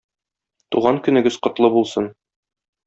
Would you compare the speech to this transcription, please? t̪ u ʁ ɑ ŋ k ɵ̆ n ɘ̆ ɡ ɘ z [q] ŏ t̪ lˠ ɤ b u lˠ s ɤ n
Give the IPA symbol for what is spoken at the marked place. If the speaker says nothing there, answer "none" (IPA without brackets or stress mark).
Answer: q